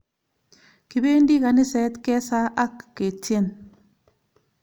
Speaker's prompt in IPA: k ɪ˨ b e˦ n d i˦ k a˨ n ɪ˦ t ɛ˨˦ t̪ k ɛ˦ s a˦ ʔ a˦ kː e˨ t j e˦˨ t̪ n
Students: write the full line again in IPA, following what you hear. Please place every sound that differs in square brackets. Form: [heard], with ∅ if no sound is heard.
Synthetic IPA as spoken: k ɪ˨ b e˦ n d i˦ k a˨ n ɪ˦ [s] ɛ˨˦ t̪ k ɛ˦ s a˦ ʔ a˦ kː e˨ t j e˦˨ [∅] n

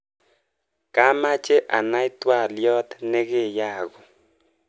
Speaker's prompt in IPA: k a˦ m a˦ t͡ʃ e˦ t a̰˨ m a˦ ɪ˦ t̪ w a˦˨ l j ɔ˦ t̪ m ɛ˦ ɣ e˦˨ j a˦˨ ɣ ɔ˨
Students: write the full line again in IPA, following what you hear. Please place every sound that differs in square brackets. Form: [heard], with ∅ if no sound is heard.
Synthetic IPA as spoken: k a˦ m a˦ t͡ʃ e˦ [ʔ] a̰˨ [n] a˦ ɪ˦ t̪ w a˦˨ l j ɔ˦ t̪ [n] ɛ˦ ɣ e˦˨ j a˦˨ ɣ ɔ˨

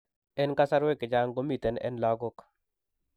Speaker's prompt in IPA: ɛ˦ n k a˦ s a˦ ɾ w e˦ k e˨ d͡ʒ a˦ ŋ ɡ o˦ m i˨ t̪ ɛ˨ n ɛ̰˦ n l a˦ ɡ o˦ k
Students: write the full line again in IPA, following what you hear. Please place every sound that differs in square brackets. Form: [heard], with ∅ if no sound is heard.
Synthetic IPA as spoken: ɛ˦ n k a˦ s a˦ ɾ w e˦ k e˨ d͡ʒ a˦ ŋ ɡ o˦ m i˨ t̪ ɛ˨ n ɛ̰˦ n l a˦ ɡ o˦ k

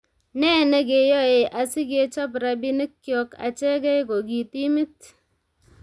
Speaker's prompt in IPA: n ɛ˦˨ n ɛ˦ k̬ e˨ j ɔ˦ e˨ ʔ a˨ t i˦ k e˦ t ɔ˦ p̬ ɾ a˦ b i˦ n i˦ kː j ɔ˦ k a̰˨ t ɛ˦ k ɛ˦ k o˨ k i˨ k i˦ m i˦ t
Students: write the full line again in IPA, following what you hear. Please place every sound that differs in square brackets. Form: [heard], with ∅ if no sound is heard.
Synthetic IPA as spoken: n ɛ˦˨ n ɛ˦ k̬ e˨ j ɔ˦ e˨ ʔ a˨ [s] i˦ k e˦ [t͡ʃ] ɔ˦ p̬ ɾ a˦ b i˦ n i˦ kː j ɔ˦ k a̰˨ [t͡ʃ] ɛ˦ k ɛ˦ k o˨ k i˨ [t] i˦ m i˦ t

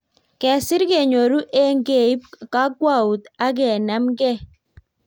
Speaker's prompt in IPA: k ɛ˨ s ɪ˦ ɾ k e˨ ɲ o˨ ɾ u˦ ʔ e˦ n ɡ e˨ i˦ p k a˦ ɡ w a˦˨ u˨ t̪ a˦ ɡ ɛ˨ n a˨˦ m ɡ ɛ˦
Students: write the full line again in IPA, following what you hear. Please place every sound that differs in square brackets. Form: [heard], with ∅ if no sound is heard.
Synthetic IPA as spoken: k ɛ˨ s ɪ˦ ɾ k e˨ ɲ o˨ ɾ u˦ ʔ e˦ [ŋ] ɡ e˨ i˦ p k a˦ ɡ w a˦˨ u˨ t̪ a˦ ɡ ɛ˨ n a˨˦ m ɡ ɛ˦

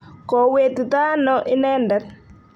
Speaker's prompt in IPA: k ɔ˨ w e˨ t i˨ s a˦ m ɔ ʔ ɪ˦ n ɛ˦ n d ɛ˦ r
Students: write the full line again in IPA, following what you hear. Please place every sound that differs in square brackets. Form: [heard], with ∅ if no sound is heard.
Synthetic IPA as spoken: k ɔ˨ w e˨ t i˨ [t] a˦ [n] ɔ ʔ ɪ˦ n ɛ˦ n d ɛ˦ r

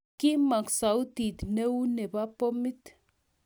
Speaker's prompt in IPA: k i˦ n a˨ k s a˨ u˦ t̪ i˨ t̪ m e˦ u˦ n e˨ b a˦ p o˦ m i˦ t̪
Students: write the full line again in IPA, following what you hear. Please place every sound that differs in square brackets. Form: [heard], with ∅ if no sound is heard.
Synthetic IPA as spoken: k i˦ [m] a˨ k s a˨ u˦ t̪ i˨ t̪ [n] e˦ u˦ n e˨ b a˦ p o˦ m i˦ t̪

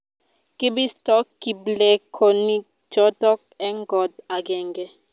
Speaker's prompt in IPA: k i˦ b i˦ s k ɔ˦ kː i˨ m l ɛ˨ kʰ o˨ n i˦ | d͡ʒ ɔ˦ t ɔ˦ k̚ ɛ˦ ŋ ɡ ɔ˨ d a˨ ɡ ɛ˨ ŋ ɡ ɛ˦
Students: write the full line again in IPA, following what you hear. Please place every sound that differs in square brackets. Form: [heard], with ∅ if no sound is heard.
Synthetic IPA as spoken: k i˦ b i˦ s [t] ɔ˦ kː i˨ [b] l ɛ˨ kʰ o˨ n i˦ | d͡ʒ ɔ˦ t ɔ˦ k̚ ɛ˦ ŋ ɡ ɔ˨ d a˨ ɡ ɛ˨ ŋ ɡ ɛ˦

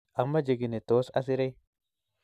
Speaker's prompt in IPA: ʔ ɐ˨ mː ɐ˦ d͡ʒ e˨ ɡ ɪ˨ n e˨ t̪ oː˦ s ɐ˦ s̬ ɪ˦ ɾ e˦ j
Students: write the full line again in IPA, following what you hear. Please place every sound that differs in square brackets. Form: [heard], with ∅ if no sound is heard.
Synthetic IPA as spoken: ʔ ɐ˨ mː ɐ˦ d͡ʒ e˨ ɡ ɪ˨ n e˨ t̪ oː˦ s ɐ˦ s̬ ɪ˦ ɾ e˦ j

